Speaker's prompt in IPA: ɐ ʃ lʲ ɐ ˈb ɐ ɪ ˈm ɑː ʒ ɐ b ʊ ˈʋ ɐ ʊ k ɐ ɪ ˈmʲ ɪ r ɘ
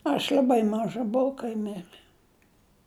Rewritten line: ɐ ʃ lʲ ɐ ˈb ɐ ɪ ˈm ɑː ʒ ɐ b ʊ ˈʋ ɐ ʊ k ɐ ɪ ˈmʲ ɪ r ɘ